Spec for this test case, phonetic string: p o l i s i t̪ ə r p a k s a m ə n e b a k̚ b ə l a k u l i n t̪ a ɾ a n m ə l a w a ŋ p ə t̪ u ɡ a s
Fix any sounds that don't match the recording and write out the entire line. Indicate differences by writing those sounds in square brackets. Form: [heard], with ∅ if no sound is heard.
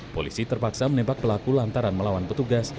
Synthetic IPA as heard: p o l i s i t̪ ə r p a k s a m ə n e b a k̚ [p] ə l a k u l [a] n t̪ a ɾ a n m ə l a w a [n] p ə t̪ u ɡ a s